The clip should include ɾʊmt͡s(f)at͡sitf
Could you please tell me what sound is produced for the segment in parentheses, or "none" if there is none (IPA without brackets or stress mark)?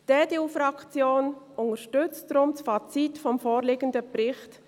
f